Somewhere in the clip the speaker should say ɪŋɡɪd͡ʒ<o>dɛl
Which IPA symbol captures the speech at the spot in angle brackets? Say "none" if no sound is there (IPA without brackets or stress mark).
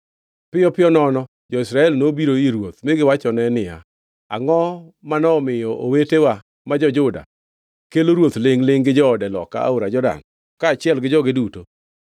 ɔ